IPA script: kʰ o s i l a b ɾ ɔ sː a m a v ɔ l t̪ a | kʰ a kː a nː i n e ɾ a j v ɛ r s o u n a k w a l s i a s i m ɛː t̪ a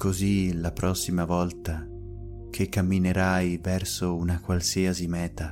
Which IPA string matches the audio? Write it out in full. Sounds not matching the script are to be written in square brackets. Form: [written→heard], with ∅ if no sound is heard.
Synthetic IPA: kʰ o [s→z] i l a [b→p] ɾ ɔ sː [a→i] m a v ɔ l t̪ a | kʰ [a→e] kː a [nː→mː] i n e ɾ a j v ɛ r s o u n a k w a l s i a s i m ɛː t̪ a